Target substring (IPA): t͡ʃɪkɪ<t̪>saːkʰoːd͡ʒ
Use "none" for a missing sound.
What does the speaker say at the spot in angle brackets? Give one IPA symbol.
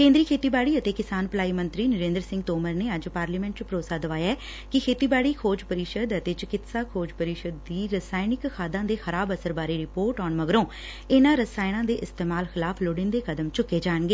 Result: t̪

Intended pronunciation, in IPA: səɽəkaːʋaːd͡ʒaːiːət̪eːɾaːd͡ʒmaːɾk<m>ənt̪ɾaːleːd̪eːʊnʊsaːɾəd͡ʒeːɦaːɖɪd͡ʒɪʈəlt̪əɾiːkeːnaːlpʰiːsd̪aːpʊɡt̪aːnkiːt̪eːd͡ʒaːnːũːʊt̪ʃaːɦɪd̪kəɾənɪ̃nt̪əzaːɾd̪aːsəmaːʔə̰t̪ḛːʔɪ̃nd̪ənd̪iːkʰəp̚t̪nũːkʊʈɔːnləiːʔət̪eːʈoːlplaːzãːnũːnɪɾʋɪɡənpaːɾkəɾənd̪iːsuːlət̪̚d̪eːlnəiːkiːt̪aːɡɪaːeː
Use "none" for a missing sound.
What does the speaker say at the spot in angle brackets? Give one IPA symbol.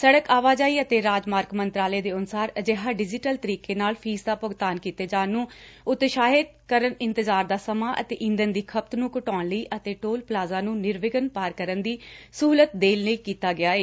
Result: m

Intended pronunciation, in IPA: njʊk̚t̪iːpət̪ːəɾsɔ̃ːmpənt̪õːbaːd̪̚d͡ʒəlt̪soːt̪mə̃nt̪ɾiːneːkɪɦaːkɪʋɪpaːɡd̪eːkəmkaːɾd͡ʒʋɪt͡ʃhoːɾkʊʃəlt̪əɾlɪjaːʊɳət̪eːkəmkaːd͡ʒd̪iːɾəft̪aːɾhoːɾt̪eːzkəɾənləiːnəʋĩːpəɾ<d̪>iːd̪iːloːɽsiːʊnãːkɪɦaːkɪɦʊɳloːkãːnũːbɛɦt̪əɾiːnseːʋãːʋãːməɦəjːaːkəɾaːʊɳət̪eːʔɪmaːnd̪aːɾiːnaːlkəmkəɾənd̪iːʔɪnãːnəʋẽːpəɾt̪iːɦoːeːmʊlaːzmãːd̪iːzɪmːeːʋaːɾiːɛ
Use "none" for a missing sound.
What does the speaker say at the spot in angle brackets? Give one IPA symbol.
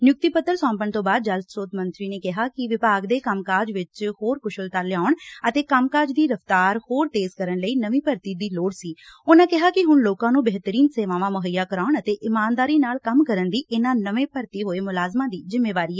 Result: t̪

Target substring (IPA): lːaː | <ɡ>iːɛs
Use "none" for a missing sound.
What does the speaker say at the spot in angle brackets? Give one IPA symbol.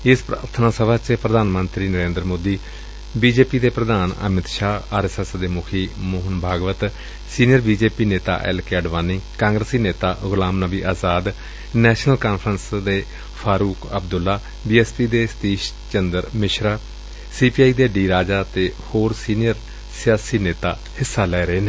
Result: b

